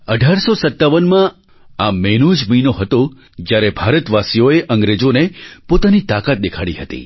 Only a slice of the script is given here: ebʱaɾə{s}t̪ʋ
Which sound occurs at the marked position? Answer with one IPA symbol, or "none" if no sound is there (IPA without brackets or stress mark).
none